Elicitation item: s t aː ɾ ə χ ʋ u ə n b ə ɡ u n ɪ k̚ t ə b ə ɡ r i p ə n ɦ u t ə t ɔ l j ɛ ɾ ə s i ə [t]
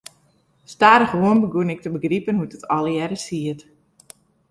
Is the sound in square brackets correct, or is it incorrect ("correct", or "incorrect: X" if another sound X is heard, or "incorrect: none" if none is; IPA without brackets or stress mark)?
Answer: correct